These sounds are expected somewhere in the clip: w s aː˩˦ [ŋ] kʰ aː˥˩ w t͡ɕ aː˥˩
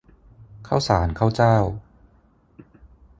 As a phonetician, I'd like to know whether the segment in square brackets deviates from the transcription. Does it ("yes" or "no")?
yes